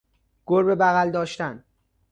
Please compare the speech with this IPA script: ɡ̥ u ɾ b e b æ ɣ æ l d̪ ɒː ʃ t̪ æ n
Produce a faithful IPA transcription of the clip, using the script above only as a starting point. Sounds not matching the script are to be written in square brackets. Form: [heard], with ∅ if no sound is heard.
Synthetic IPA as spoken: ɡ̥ [o] ɾ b e b æ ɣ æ l d̪ ɒː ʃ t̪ æ n